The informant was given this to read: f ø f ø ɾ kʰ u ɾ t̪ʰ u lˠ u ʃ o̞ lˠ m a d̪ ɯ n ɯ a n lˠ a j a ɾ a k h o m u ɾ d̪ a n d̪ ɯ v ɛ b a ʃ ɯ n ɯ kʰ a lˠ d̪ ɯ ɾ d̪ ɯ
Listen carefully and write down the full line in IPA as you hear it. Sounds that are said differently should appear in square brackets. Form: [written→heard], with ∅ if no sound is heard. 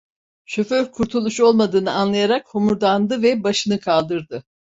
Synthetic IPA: [f→ʃ] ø f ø ɾ kʰ u ɾ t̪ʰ u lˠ u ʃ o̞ lˠ m a d̪ [ɯ→ɯː] n ɯ a n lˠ a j a ɾ a k h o m u ɾ d̪ a n d̪ ɯ v ɛ b a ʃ ɯ n ɯ kʰ a lˠ d̪ ɯ ɾ d̪ ɯ